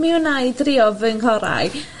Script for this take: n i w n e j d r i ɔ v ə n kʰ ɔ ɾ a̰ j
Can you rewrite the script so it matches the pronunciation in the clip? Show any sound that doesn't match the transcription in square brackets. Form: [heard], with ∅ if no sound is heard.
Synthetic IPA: [m] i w n [a] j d r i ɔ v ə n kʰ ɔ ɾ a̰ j